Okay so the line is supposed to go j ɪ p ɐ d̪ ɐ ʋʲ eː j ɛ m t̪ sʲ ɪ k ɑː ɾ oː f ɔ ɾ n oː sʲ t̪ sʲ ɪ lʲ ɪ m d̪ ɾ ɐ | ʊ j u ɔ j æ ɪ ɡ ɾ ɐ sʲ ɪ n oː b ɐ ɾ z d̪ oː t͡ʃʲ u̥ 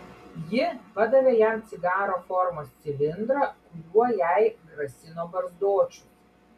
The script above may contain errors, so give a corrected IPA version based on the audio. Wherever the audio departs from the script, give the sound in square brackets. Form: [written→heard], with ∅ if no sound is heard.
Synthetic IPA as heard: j ɪ p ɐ d̪ ɐ ʋʲ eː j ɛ m t̪ sʲ ɪ [k→ɡ] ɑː ɾ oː f ɔ ɾ [n→m] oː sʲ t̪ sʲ ɪ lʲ ɪ [m→n] d̪ ɾ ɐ | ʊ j u ɔ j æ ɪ ɡ ɾ ɐ sʲ ɪ n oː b ɐ ɾ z d̪ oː t͡ʃʲ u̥